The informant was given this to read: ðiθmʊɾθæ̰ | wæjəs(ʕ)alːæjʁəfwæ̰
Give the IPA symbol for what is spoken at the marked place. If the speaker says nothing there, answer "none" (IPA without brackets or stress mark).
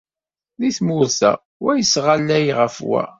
ʁ